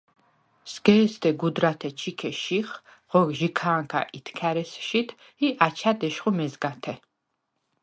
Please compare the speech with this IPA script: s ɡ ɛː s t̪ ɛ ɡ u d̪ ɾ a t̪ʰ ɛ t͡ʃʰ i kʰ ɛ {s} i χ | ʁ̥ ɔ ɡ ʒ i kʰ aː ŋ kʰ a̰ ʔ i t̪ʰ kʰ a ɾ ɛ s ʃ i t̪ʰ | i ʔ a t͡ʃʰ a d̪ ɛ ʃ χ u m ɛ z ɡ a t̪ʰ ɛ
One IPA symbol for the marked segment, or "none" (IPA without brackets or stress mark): ʃ